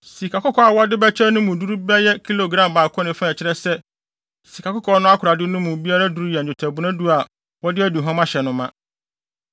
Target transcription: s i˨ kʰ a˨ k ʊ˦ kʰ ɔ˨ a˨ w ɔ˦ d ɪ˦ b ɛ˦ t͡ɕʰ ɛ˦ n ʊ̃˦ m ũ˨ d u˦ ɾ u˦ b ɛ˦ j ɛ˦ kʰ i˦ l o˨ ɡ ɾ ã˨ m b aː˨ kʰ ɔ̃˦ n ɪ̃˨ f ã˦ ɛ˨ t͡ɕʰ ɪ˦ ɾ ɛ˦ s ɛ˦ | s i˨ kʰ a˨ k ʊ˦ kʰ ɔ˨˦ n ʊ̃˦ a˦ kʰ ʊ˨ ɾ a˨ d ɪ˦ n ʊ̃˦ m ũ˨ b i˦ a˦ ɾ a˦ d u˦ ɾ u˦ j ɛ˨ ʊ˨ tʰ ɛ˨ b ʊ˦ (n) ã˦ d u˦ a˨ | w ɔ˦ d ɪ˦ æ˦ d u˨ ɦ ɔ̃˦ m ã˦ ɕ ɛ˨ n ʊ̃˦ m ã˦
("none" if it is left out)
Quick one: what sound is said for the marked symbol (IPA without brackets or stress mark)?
n